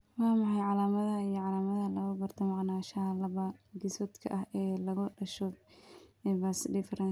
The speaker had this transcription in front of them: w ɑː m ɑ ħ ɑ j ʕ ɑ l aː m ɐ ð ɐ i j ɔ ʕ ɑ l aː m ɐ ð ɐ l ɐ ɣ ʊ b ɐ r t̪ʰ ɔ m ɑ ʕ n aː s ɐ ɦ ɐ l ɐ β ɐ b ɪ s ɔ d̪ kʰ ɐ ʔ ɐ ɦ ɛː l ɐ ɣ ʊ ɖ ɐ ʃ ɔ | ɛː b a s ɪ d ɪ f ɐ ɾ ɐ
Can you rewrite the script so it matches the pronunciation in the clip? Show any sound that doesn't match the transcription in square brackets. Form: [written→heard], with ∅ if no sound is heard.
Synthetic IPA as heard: w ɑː m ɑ ħ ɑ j ʕ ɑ l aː m ɐ ð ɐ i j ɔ ʕ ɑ l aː m ɐ ð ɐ l ɐ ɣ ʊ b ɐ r t̪ʰ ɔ m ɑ ʕ n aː [s→ʃ] ɐ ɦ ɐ l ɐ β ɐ [b→ɡ] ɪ s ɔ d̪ kʰ ɐ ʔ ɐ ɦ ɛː l ɐ ɣ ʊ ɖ ɐ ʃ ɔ | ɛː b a s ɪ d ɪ f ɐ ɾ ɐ